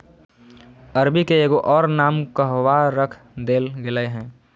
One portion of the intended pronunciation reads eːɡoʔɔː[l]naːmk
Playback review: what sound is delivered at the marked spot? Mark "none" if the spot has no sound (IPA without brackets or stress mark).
ɾ